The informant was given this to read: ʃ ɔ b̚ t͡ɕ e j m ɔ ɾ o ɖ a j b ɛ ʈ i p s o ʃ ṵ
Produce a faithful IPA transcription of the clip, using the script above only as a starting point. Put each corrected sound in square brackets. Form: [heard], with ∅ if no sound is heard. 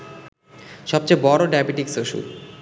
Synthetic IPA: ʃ ɔ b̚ t͡ɕ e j [b] ɔ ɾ o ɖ a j b [i] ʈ i [k] s o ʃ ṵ